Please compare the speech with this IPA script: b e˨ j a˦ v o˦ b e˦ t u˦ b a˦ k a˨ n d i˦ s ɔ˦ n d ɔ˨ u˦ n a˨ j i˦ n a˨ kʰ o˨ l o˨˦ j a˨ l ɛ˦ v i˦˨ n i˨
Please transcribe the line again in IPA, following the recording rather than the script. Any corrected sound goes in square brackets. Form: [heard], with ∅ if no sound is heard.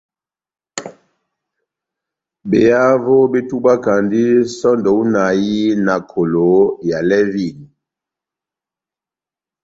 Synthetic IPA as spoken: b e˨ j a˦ v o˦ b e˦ t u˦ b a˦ k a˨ n d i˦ s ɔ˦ n d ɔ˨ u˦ n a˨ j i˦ n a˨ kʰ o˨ l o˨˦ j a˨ l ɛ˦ v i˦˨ n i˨